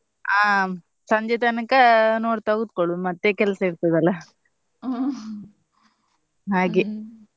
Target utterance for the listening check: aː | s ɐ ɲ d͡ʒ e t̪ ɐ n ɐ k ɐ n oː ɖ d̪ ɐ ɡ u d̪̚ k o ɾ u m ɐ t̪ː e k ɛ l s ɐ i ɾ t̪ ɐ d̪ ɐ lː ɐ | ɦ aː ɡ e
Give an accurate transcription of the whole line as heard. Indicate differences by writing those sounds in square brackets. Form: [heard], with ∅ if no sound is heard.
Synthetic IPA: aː | s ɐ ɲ d͡ʒ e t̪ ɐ n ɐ k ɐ n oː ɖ [t̪] ɐ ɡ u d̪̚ k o [ɭ] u m ɐ t̪ː e k ɛ l s ɐ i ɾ t̪ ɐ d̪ ɐ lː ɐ | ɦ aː ɡ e